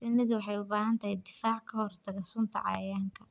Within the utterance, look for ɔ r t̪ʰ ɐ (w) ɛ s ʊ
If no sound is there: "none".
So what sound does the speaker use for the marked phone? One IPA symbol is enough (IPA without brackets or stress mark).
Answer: ɣ